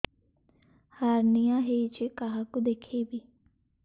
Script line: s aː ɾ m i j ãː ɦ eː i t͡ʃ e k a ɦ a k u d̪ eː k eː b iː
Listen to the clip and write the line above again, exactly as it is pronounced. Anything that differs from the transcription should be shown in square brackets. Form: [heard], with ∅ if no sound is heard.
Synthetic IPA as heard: [h] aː ɾ [n] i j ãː ɦ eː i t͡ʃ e k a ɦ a k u d̪ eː [kʰ] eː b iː